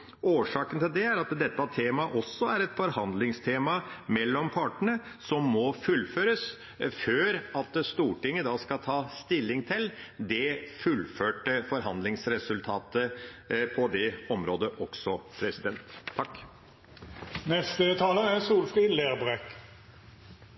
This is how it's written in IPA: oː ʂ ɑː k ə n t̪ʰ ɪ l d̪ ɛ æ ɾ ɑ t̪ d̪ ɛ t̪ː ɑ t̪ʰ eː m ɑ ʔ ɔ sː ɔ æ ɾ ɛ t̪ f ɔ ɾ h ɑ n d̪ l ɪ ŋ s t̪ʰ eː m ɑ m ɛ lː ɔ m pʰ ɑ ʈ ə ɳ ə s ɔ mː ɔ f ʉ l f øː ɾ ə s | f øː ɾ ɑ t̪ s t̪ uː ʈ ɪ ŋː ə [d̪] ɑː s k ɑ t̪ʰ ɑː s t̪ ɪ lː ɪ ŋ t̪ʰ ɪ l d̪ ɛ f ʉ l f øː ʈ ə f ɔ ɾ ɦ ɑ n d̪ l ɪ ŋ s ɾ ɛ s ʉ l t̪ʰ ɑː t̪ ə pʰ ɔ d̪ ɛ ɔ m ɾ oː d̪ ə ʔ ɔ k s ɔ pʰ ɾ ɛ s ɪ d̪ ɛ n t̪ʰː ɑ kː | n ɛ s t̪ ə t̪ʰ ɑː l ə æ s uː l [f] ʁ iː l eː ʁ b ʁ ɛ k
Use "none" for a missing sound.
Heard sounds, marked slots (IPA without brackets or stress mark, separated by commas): d̪, f